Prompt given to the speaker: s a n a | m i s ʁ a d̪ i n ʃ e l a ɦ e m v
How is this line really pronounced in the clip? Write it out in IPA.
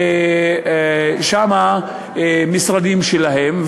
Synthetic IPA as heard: ʃ a m a | m i s ʁ a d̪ i m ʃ e l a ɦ e m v